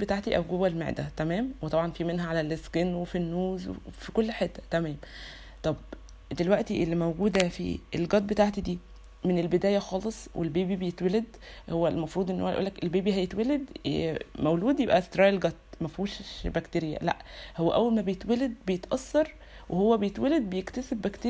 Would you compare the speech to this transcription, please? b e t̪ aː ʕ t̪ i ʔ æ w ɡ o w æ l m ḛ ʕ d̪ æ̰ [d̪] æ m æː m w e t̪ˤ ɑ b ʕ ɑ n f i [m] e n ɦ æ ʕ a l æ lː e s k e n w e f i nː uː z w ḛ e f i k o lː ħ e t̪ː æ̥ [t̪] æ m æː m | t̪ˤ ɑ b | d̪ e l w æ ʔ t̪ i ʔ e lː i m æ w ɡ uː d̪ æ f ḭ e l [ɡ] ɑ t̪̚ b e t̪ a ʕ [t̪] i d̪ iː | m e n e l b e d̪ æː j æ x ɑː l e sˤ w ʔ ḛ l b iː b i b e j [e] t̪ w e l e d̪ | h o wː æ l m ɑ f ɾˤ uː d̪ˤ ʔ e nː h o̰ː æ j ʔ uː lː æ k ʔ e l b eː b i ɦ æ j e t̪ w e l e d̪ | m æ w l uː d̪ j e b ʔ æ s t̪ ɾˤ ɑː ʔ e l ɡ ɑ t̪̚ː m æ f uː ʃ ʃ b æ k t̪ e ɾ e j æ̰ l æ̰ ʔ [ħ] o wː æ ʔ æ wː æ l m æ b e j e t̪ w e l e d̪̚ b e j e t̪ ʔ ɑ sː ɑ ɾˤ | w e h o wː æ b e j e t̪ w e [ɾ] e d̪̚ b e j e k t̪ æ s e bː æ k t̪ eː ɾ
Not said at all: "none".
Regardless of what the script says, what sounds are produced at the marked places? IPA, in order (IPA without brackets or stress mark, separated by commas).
t̪, m, t̪, ɡ, t̪, e, h, l